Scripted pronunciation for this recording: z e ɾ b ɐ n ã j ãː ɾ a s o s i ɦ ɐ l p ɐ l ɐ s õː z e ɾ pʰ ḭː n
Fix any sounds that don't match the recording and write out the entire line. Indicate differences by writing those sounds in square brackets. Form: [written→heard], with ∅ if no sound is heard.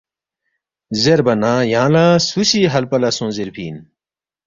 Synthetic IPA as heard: z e ɾ b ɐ n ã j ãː [ɾ→l] a s [o→u] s i ɦ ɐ l p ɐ l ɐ s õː z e ɾ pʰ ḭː n